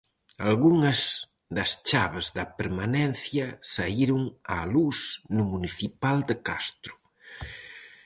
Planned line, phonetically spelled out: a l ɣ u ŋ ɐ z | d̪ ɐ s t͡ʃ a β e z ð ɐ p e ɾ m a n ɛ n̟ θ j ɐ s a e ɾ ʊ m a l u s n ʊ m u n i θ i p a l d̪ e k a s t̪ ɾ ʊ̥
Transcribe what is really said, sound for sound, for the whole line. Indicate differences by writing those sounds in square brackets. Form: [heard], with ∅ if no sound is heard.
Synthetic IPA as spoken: a l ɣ u ŋ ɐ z | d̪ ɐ s t͡ʃ a β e z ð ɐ p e ɾ m a n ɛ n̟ θ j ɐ s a [i] ɾ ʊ [ŋ] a l u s n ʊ m u n i θ i p a l d̪ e k a s t̪ ɾ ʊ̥